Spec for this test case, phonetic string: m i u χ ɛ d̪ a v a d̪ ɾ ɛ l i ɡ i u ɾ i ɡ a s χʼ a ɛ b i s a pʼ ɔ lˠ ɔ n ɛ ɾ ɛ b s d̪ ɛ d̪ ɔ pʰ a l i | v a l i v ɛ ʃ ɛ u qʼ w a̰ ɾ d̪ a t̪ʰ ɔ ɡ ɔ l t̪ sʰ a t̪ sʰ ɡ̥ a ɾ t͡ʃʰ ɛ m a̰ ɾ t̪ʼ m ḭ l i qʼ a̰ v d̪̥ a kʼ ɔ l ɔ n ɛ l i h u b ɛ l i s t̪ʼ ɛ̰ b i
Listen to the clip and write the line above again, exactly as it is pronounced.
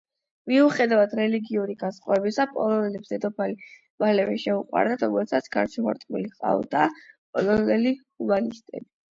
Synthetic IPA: m i u χ ɛ d̪ a v a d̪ ɾ ɛ l i ɡ i u ɾ i ɡ a s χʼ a ɛ b i s a pʼ ɔ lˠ ɔ n ɛ l ɛ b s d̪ ɛ d̪ ɔ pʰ a l i | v a l ɛ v ɛ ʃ ɛ u qʼ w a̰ ɾ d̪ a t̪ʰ ɔ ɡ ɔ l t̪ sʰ a t̪ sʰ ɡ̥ a ɾ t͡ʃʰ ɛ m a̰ ɾ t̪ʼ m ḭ l i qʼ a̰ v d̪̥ a pʼ ɔ l ɔ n ɛ l i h u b a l i s t̪ʼ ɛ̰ b i